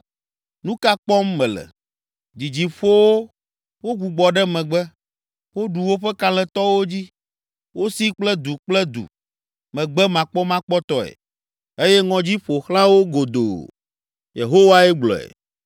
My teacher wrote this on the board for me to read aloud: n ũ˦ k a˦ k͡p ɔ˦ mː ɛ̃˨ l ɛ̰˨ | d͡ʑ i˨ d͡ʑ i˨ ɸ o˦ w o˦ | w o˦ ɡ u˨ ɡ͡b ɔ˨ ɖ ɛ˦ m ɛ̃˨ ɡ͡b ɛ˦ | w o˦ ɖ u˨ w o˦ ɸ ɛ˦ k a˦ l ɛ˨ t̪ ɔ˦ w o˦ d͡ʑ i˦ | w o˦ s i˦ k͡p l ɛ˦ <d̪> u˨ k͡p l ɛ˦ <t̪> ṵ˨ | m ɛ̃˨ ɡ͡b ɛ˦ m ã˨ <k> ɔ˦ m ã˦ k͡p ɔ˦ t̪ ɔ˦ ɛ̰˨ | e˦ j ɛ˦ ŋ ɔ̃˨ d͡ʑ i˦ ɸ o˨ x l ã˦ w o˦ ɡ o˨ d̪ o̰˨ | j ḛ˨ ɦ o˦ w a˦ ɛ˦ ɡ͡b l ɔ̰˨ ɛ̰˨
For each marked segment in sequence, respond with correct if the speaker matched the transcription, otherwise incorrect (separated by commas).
correct, incorrect, incorrect